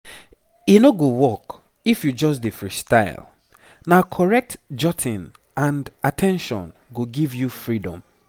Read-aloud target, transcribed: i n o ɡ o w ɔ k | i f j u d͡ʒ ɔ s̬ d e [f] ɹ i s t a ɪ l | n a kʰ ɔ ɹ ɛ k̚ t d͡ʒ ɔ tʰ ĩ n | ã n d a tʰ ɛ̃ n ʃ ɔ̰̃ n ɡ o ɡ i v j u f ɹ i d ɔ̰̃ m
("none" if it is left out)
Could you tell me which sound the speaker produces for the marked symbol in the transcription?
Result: f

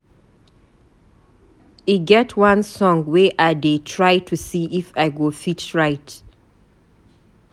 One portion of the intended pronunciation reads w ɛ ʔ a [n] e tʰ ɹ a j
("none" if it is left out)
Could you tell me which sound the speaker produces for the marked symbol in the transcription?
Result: d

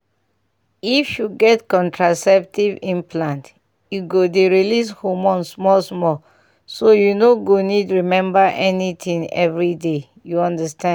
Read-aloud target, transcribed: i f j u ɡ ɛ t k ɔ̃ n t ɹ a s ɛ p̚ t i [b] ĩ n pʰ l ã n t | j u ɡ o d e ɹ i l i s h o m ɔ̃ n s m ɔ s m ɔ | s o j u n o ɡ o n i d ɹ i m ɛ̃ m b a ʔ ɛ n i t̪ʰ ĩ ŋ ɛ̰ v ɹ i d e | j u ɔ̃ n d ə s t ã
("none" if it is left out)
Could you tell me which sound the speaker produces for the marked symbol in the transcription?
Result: v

